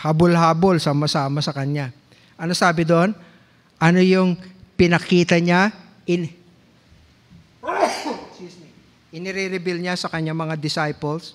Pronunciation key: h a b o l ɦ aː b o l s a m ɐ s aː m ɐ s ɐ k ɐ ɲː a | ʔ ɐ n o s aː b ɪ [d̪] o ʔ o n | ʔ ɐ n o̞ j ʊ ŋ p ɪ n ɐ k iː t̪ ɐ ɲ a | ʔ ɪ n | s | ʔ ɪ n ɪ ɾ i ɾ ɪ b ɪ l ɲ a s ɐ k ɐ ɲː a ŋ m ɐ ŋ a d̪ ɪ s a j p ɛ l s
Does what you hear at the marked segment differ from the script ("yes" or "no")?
no